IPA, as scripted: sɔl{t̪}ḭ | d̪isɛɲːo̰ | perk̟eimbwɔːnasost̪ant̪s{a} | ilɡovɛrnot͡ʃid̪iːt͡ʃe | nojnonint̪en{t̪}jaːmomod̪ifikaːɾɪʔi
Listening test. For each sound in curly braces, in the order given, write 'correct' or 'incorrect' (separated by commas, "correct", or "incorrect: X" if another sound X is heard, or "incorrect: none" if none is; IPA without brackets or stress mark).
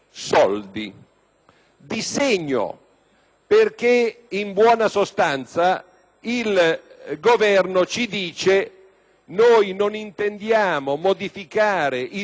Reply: incorrect: d̪, correct, incorrect: d̪